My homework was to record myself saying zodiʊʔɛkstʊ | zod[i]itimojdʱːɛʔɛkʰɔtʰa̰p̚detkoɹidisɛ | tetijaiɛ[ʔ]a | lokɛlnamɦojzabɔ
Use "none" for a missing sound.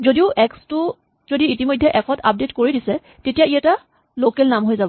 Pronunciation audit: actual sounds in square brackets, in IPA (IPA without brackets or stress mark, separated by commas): i, t